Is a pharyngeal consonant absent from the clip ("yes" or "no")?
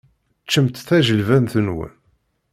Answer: yes